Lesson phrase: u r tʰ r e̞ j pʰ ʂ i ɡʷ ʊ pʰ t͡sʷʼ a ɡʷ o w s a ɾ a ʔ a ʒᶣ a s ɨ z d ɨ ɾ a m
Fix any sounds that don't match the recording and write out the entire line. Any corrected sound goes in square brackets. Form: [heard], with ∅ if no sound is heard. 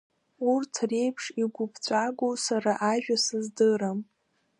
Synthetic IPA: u r tʰ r e̞ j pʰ ʂ i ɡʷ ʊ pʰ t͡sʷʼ a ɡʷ o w s a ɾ a ʔ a ʒᶣ a s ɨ z d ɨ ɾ a m

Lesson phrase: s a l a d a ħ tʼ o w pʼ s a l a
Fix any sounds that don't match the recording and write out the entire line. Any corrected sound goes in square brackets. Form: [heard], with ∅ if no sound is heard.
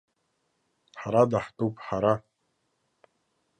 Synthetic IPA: [ħ] a [ɾ] a d a ħ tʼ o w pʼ [ħ] a [ɾ] a

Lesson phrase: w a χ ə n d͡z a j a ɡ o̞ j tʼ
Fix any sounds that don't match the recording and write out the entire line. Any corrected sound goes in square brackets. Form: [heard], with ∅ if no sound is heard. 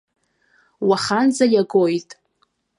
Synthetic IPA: w a χ [a] n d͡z a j a ɡ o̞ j tʼ

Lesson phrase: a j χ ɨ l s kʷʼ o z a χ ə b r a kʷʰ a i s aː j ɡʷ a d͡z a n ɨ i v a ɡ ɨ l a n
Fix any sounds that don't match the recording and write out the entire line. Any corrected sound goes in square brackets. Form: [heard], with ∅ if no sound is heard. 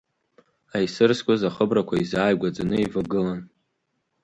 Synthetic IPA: a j [s] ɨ [r] s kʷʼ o z a χ ə b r a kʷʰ a i [z] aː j ɡʷ a d͡z a n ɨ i v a ɡ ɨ l a n

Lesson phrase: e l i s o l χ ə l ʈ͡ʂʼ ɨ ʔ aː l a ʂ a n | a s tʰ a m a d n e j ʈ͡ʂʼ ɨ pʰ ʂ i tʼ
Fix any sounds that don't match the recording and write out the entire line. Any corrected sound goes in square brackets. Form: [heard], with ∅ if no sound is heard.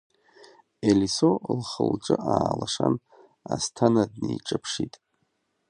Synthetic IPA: e l i s o l χ ə l ʈ͡ʂʼ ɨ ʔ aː l a ʂ a n | a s tʰ a [n] a d n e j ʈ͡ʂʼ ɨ pʰ ʂ i tʼ

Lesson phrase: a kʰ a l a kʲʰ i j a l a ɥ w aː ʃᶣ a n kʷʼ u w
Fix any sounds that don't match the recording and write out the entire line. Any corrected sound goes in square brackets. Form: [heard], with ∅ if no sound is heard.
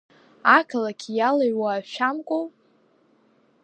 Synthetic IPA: a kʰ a l a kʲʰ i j a l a ɥ w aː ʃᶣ a [m] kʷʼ [o] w

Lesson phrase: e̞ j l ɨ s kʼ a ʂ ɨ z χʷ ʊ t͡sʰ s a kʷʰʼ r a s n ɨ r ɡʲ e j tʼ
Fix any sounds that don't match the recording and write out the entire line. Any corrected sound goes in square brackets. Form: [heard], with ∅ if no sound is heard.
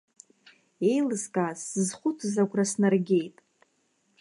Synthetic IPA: e̞ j l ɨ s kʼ a [s] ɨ z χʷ ʊ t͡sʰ [z] a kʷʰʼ r a s n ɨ r ɡʲ e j tʼ

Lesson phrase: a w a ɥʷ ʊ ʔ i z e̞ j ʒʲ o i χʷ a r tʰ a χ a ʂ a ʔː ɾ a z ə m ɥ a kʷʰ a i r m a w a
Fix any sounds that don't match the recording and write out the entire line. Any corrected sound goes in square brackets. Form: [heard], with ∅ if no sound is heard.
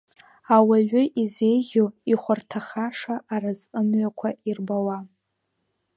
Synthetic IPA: a w a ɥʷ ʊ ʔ i z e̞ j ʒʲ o i χʷ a r tʰ a χ a ʂ a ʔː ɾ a z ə m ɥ a kʷʰ a i r [b] a w a

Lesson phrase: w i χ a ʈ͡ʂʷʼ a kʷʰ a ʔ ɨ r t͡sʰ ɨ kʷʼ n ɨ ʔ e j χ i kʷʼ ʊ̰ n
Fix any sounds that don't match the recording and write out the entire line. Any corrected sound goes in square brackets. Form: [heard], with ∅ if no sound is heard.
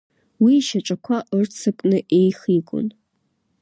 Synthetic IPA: w i [ʃ] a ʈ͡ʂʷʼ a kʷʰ a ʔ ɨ r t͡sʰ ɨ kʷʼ n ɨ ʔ e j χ i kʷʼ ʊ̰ n

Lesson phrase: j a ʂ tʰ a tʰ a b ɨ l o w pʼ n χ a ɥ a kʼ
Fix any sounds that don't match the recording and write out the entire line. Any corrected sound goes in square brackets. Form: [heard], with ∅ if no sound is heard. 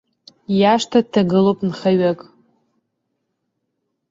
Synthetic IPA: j a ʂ tʰ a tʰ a [ɡ] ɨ l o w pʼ n χ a ɥ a kʼ

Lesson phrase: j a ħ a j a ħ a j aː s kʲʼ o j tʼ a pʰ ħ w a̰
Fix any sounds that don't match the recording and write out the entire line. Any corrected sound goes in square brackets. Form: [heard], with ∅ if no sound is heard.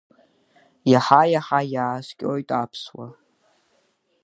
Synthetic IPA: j a ħ a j a ħ a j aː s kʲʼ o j tʼ a pʰ [s] w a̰

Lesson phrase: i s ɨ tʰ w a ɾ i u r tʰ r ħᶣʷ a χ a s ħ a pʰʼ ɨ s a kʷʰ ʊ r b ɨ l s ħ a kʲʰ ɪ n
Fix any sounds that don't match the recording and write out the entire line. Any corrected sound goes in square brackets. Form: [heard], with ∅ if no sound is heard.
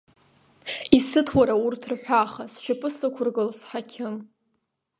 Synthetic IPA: i s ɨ tʰ w a ɾ [a] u r tʰ r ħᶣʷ a χ a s [ʃ] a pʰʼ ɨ s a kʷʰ ʊ r [ɡ] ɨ l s ħ a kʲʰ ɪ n

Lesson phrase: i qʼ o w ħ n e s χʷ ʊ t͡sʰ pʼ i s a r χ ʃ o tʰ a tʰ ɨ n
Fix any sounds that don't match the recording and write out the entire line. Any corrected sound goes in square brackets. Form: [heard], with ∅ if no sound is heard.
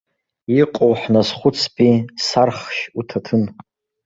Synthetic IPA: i qʼ o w ħ n [a] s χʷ ʊ t͡sʰ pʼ i s a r χ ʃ [u] tʰ a tʰ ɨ n

